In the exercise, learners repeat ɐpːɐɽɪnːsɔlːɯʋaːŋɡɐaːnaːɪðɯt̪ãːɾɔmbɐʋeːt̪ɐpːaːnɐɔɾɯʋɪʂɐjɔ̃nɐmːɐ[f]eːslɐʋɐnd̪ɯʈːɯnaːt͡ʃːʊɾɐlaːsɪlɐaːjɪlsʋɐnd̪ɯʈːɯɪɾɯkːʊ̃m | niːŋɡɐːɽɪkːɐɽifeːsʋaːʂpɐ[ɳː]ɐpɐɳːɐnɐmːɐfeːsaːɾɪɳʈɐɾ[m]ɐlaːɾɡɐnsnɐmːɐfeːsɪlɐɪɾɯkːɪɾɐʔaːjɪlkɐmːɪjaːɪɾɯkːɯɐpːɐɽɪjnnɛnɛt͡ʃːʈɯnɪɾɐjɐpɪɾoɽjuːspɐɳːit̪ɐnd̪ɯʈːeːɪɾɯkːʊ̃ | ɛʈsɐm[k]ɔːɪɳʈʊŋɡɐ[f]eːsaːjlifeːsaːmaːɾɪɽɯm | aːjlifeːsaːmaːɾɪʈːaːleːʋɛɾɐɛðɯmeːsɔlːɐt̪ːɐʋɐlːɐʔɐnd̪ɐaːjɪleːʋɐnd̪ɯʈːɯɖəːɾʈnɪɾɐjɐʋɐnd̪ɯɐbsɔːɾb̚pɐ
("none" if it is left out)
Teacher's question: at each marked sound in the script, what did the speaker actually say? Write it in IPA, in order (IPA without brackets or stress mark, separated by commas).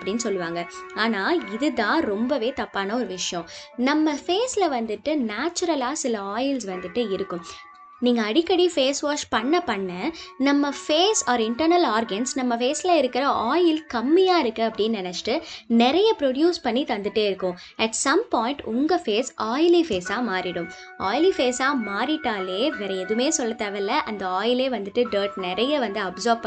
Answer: f, ɳː, n, p, f